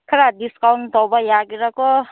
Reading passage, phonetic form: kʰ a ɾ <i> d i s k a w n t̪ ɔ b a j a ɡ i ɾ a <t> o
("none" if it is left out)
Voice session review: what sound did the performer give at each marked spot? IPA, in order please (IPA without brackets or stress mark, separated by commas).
a, k